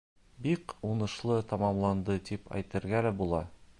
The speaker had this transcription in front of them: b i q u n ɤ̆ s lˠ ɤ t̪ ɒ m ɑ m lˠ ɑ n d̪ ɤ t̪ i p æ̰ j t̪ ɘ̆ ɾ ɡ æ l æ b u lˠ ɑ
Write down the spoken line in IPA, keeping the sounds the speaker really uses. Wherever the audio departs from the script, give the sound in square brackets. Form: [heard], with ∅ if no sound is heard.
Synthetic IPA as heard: b i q u n ɤ̆ [ʃ] lˠ ɤ t̪ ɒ m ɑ m lˠ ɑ n d̪ ɤ t̪ i p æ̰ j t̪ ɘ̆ ɾ ɡ æ l æ b u lˠ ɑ